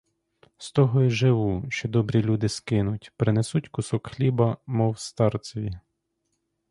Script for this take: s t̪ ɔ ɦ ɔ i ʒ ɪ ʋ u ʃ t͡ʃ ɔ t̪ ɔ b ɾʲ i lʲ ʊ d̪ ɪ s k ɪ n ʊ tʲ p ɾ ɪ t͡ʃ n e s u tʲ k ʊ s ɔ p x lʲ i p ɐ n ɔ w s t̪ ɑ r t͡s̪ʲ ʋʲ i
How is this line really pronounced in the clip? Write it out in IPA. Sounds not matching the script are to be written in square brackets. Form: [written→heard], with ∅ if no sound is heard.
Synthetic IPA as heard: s t̪ ɔ ɦ ɔ i ʒ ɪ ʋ u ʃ t͡ʃ ɔ [t̪→d̪] ɔ b ɾʲ i lʲ [ʊ→u] d̪ ɪ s k ɪ n ʊ tʲ p ɾ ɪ [t͡ʃ→∅] n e s u tʲ k ʊ s ɔ [p→k] x lʲ i [p→b] ɐ [n→m] ɔ w s t̪ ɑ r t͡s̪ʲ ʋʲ i

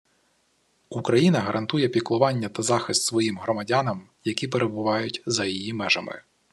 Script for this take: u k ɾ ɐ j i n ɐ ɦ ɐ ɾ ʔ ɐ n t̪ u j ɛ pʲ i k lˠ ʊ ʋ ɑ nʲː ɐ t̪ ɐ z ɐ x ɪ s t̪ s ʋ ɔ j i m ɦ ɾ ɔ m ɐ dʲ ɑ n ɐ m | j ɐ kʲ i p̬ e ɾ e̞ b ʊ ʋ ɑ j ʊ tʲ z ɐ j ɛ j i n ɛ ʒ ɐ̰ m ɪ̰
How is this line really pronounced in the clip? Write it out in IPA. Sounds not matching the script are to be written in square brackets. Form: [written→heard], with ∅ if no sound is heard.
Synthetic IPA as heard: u k ɾ ɐ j i n ɐ ɦ ɐ ɾ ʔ ɐ n t̪ u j ɛ pʲ i k lˠ ʊ ʋ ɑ nʲː ɐ t̪ ɐ z [ɐ→ɑ] x ɪ s t̪ s ʋ ɔ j i m ɦ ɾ ɔ m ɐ dʲ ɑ n ɐ m | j ɐ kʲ i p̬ e ɾ e̞ b ʊ ʋ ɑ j ʊ tʲ z ɐ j [ɛ→i] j i [n→m] ɛ ʒ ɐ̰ m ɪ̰

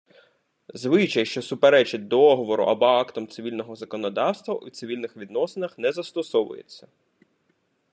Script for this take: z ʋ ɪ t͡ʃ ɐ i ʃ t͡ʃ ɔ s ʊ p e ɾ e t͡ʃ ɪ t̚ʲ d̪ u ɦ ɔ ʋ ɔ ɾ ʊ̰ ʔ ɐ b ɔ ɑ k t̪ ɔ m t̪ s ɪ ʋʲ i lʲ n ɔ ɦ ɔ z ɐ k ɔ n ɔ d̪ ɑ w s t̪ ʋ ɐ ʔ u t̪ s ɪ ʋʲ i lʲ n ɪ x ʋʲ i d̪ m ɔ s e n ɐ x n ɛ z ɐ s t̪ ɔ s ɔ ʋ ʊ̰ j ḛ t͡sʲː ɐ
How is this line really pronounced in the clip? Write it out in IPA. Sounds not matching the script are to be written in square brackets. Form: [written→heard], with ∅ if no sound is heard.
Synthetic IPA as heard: z ʋ ɪ t͡ʃ ɐ [i→j] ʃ t͡ʃ ɔ s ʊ p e ɾ [e→ɛ] t͡ʃ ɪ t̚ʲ d̪ [u→ɔ] ɦ ɔ ʋ ɔ ɾ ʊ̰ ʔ ɐ b ɔ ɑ k t̪ ɔ m t̪ s ɪ ʋʲ i lʲ n ɔ ɦ ɔ z ɐ k ɔ n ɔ d̪ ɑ w s t̪ ʋ ɐ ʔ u t̪ s ɪ ʋʲ i lʲ n ɪ x ʋʲ i d̪ [m→n] ɔ s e n ɐ x n ɛ z ɐ s t̪ ɔ s ɔ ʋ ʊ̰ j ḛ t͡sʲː ɐ

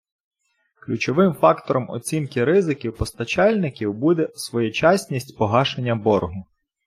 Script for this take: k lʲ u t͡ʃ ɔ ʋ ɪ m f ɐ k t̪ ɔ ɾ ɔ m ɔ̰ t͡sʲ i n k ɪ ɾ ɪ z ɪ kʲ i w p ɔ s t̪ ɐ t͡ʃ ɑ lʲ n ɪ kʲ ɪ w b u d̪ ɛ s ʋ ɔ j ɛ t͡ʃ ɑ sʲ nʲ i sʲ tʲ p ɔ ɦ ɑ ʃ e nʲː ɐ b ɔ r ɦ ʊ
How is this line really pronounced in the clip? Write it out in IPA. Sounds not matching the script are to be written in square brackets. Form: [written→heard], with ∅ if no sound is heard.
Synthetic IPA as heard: k lʲ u t͡ʃ ɔ ʋ ɪ m f [ɐ→ɑ] k t̪ ɔ ɾ ɔ m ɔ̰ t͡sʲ i n k ɪ ɾ ɪ z ɪ kʲ i w p ɔ s t̪ ɐ t͡ʃ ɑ lʲ n ɪ kʲ [ɪ→i] w b u d̪ ɛ s ʋ ɔ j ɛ t͡ʃ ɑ sʲ nʲ i sʲ tʲ p ɔ ɦ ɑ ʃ e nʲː ɐ b ɔ r ɦ ʊ

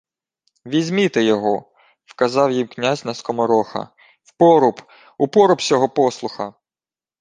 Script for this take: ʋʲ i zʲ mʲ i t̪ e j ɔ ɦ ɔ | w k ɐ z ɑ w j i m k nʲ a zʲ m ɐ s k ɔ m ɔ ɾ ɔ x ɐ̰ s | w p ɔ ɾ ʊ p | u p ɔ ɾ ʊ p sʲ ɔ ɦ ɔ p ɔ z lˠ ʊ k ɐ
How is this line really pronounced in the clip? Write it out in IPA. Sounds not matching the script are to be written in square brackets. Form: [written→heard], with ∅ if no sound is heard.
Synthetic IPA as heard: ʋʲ i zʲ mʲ i t̪ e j ɔ ɦ ɔ | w k ɐ z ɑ w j i m k nʲ a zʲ [m→n] ɐ s k ɔ m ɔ ɾ ɔ x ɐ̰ [s→∅] | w p ɔ ɾ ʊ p | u p ɔ ɾ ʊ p sʲ ɔ ɦ ɔ p ɔ [z→s] lˠ ʊ [k→x] ɐ

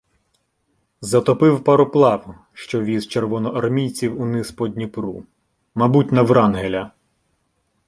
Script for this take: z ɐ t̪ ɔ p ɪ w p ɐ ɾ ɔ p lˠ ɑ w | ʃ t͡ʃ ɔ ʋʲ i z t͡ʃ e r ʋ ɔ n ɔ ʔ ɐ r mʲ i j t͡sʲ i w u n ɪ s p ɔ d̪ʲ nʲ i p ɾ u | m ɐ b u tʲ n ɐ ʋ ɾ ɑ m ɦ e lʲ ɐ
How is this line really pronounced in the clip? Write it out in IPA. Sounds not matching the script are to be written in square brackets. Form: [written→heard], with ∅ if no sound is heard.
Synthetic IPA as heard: z ɐ t̪ ɔ p ɪ w p ɐ ɾ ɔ p lˠ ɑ w | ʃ t͡ʃ ɔ ʋʲ i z t͡ʃ e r ʋ ɔ n ɔ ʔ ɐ r mʲ i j t͡sʲ i w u n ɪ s p ɔ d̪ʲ nʲ i p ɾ u | m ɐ b u tʲ n ɐ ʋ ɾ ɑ [m→n] ɦ e lʲ ɐ

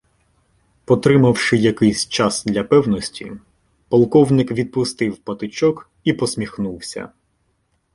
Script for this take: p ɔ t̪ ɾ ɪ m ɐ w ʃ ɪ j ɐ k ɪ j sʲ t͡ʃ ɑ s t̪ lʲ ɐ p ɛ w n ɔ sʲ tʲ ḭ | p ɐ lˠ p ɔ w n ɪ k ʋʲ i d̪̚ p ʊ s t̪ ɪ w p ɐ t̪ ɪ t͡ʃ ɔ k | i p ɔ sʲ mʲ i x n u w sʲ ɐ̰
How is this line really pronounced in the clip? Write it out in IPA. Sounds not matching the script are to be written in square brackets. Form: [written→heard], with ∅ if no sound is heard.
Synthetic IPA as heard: p ɔ t̪ ɾ ɪ m ɐ w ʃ ɪ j ɐ k ɪ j sʲ t͡ʃ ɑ s [t̪→d̪] lʲ ɐ p ɛ w n ɔ sʲ tʲ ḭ | p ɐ lˠ [p→k] ɔ w n ɪ k ʋʲ i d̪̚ p ʊ s t̪ ɪ w p ɐ t̪ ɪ t͡ʃ ɔ k | i p ɔ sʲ mʲ i x n u w sʲ ɐ̰

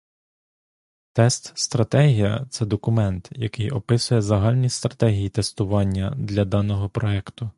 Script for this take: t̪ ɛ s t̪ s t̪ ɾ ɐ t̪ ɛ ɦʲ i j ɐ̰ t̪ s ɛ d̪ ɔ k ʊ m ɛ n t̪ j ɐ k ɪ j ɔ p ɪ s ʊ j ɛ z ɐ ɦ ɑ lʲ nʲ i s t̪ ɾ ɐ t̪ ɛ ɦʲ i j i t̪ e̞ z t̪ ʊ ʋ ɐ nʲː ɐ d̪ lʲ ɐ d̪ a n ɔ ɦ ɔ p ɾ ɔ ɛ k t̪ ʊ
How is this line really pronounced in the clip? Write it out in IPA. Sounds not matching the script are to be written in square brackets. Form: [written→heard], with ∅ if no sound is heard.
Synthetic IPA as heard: t̪ ɛ s t̪ s t̪ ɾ ɐ t̪ ɛ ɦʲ i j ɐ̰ t̪ s ɛ d̪ ɔ k ʊ m ɛ n t̪ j ɐ k ɪ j ɔ p ɪ s ʊ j ɛ z ɐ ɦ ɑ lʲ nʲ i s t̪ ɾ ɐ t̪ ɛ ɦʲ i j i t̪ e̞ [z→s] t̪ ʊ ʋ [ɐ→ɑ] nʲː ɐ d̪ lʲ ɐ d̪ [a→ɑ] n ɔ ɦ ɔ p ɾ ɔ ɛ k t̪ ʊ

